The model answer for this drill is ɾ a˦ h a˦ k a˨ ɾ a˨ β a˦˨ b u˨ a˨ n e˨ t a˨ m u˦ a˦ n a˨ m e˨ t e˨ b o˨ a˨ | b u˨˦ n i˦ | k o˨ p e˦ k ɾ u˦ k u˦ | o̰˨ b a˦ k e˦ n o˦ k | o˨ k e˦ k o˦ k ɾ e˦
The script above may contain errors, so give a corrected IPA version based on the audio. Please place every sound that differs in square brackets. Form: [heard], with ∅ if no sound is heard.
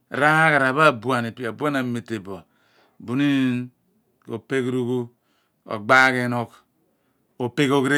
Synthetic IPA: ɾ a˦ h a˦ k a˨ ɾ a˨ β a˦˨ b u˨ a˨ n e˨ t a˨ [b] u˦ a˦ n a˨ m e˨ t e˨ b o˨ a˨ | b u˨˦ n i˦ | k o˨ p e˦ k ɾ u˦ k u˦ | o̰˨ [ɡ͡b] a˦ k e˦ n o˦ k | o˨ [p] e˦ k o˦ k ɾ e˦